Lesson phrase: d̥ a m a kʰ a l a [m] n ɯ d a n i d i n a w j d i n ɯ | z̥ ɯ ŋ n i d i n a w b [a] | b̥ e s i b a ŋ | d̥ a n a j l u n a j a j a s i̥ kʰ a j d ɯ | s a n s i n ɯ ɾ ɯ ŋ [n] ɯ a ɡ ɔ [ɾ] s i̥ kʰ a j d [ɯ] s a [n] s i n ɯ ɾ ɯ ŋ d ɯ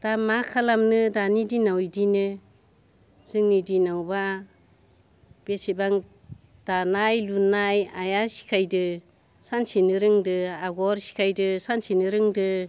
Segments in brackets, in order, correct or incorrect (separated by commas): correct, correct, incorrect, correct, correct, correct